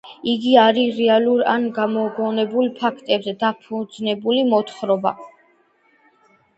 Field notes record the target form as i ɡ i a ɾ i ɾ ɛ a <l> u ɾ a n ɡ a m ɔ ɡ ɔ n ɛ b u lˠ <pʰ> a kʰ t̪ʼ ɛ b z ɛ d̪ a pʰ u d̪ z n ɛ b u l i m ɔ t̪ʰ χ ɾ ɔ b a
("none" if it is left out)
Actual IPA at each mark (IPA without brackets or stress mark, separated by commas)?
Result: l, pʰ